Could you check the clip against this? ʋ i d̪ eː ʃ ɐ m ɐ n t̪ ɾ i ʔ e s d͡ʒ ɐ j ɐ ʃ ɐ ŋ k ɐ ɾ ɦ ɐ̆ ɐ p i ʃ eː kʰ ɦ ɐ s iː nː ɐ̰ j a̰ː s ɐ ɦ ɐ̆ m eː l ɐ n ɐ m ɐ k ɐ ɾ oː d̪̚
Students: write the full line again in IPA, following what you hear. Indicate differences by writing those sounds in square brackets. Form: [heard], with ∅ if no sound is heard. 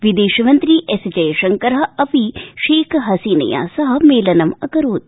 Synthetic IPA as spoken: ʋ i d̪ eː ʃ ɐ m ɐ n t̪ ɾ i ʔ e s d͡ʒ ɐ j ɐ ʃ ɐ ŋ k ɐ ɾ ɦ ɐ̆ ɐ p i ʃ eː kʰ ɦ ɐ s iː [n] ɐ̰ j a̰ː s ɐ ɦ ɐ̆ m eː l ɐ n ɐ m ɐ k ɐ ɾ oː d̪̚